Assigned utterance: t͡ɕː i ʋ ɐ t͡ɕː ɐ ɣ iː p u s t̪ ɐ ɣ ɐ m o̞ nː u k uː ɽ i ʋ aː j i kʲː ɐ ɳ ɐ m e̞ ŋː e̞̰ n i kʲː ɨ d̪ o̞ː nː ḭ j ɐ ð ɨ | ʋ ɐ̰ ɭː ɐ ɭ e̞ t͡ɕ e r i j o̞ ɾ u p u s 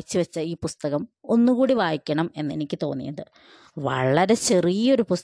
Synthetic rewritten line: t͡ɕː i ʋ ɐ t͡ɕː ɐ iː p u s t̪ ɐ ɣ ɐ m o̞ nː u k uː ɽ i ʋ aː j i kʲː ɐ ɳ ɐ m e̞ nː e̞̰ n i kʲː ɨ t̪ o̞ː nː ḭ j ɐ ð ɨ | ʋ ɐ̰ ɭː ɐ ɾ e̞ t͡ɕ e r i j o̞ ɾ u p u s